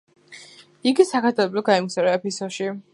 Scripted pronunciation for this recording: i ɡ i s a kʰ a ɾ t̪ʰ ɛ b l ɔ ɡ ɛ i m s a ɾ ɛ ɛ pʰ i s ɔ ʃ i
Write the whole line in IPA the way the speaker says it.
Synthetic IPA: i ɡ i s a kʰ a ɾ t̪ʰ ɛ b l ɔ ɡ a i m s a ɾ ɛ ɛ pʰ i s ɔ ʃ i